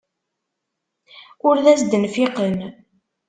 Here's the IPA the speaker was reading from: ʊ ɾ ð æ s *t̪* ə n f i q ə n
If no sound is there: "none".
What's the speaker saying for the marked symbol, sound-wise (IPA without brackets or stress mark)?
d̪